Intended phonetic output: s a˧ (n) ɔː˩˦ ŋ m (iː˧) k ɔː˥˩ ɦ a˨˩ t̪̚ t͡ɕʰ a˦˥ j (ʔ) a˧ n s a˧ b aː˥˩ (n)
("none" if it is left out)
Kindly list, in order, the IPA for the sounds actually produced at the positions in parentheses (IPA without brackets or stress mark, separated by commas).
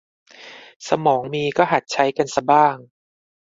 m, iː˧, k, ŋ